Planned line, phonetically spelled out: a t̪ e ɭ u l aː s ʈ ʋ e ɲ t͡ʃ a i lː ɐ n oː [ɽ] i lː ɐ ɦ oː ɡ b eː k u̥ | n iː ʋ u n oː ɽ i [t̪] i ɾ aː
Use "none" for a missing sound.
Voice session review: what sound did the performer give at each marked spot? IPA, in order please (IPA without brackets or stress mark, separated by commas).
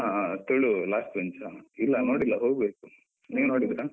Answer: ɽ, d̪